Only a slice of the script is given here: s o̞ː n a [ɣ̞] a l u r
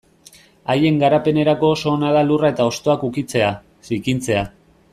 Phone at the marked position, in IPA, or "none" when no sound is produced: ð̞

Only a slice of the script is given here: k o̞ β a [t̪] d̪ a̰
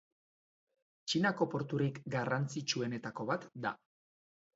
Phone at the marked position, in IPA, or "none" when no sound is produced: t̪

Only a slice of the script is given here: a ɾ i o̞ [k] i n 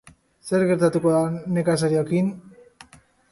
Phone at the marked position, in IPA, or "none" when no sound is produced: k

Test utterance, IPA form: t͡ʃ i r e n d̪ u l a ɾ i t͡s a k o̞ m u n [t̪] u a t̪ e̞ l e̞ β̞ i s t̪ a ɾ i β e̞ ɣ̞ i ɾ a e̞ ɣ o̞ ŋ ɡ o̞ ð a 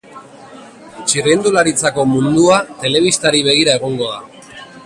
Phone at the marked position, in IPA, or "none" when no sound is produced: d̪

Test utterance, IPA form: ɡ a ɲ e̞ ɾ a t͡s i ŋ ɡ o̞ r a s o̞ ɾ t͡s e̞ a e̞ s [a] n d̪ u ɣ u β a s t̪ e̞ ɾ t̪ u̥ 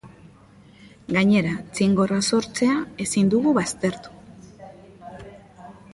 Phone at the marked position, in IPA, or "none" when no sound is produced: i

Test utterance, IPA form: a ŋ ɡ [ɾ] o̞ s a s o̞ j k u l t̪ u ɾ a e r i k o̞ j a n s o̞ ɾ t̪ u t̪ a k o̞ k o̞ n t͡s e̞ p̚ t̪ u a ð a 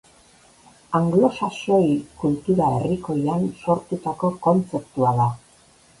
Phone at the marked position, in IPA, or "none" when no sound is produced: l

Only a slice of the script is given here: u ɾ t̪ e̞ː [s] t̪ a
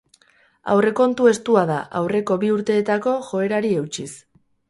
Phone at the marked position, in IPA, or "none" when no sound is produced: none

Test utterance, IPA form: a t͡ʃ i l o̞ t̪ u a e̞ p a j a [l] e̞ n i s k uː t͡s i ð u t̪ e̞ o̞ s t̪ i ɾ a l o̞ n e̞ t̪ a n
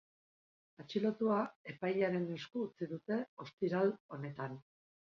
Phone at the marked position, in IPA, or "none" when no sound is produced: ɾ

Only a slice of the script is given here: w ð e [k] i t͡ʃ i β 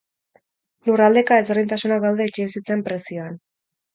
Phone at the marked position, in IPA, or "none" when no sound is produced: none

